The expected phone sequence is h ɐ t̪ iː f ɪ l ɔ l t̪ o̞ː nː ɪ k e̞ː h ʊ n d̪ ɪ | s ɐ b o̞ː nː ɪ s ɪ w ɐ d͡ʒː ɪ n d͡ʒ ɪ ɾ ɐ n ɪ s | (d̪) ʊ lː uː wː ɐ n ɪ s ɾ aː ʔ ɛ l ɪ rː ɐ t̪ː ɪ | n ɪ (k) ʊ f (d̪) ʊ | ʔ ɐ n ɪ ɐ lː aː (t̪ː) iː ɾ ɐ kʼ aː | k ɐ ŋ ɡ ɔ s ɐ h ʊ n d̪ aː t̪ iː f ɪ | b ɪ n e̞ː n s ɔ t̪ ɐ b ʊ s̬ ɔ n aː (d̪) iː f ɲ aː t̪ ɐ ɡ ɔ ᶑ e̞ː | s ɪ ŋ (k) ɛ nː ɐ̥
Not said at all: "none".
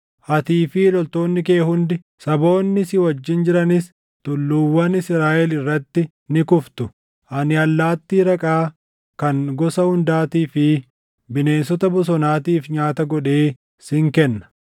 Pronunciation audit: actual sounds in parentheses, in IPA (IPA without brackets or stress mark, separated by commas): t̪, k, t̪, t̪ː, t̪, k